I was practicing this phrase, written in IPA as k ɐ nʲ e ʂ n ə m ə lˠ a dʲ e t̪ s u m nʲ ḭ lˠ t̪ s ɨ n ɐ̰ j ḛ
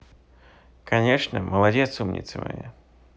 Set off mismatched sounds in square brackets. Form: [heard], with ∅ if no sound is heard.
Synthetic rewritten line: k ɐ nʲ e ʂ n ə m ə lˠ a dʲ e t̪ s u m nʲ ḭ [∅] t̪ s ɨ [m] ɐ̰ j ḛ